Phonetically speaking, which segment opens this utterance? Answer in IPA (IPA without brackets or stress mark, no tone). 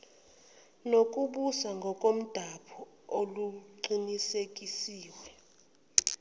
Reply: n